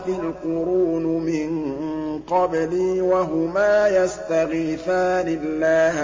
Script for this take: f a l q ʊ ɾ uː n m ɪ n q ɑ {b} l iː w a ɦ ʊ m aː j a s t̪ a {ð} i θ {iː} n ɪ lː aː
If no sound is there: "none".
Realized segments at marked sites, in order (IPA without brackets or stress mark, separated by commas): b, ɣ, aː